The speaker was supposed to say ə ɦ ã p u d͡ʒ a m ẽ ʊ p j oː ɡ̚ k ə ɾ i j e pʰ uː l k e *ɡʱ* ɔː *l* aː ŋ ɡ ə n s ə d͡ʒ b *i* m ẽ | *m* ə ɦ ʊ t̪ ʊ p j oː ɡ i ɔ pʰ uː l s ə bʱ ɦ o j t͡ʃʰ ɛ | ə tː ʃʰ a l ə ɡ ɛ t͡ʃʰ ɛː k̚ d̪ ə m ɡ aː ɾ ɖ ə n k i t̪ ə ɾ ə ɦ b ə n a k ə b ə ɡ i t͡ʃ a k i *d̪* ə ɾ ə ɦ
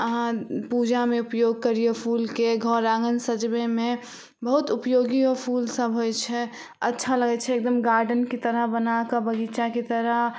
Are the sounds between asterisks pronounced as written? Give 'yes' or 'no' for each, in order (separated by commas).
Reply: yes, no, no, no, no